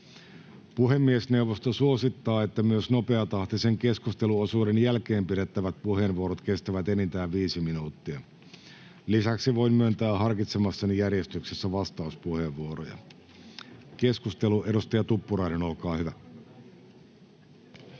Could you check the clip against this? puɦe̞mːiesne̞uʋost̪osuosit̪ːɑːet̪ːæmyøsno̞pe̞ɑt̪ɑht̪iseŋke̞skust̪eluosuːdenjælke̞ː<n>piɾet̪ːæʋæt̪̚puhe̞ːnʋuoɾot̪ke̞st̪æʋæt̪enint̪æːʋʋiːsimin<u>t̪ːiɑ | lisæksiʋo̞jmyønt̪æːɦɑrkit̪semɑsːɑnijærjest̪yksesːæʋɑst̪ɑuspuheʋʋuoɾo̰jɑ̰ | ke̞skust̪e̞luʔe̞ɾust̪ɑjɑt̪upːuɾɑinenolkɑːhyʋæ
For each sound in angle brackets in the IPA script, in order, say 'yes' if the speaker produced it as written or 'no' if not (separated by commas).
no, no